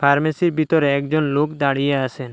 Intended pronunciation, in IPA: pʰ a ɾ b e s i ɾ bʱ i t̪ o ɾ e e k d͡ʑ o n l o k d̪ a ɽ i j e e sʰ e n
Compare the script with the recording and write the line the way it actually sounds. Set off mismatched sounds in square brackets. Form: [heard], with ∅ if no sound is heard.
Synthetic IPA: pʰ a ɾ [m] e s i ɾ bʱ i t̪ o ɾ e [ɛ] k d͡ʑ o n l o k d̪ a ɽ i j e [a] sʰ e n